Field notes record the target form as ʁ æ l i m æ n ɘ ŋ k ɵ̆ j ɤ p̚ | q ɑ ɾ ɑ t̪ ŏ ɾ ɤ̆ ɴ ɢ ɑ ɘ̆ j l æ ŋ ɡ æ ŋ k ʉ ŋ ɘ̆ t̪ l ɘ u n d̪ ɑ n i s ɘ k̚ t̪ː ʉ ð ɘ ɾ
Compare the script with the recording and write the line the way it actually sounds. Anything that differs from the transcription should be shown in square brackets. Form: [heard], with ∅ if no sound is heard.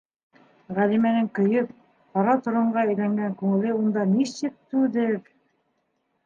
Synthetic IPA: ʁ æ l i m æ n ɘ ŋ k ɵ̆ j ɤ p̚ | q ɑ ɾ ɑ t̪ ŏ ɾ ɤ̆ ɴ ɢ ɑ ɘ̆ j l æ ŋ ɡ æ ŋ k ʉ ŋ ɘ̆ [∅] l ɘ u n d̪ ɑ n i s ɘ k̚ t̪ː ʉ ð ɘ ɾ